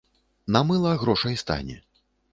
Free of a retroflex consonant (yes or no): no